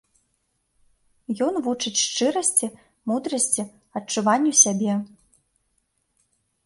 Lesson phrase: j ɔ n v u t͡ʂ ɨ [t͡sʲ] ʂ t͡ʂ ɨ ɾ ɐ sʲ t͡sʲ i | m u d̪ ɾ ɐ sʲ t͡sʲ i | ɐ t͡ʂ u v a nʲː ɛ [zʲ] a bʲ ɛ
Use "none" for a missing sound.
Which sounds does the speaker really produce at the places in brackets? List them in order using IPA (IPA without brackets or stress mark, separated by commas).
t͡sʲ, sʲ